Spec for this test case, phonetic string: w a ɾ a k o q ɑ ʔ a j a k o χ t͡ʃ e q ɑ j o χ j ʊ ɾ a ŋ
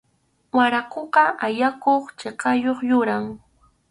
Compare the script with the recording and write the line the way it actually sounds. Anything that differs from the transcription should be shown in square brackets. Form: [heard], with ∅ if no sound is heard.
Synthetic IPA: w a ɾ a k o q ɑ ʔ a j a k o χ t͡ʃ e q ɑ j o χ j ʊ ɾ a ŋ